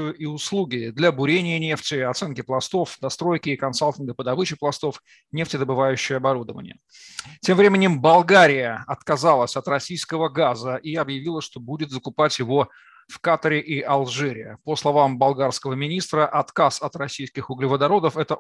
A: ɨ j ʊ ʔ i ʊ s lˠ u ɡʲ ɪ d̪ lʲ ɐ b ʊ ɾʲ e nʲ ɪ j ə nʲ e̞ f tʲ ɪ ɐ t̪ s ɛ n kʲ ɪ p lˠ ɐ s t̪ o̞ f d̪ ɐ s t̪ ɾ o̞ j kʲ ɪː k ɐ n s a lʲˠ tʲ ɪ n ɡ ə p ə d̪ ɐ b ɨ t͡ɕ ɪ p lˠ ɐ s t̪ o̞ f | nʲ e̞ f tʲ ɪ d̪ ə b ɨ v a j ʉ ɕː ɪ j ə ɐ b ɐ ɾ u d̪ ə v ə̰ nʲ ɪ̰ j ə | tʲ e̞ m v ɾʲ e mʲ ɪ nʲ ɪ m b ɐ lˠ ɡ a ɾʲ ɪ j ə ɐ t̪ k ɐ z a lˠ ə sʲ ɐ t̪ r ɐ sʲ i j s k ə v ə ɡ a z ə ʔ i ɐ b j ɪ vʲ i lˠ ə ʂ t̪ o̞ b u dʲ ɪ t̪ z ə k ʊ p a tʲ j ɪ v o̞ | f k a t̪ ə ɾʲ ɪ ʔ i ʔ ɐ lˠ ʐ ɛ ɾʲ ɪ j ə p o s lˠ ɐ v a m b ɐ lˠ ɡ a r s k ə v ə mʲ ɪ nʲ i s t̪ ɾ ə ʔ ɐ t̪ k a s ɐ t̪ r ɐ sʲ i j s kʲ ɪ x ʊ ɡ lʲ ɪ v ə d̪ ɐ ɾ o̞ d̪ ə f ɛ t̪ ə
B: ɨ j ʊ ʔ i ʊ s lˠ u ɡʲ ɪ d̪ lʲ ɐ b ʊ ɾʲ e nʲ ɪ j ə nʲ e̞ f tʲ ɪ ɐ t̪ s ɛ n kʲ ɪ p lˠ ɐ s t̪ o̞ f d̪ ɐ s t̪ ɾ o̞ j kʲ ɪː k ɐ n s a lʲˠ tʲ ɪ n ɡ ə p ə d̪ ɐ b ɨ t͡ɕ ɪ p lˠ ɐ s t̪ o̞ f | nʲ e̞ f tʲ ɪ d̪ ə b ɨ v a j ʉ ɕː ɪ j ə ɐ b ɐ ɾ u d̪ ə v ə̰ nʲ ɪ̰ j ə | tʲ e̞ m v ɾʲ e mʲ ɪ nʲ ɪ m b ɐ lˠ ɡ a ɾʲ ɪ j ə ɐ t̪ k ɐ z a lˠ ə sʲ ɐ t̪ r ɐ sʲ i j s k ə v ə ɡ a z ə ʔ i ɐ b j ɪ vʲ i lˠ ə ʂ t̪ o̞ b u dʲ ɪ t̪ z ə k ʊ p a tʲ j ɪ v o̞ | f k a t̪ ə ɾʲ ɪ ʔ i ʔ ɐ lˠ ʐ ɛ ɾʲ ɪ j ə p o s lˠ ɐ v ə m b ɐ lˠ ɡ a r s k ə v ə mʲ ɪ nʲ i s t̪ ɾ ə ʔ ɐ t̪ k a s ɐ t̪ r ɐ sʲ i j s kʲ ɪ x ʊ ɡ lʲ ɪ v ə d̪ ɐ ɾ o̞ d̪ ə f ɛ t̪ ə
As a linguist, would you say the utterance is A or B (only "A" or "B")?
A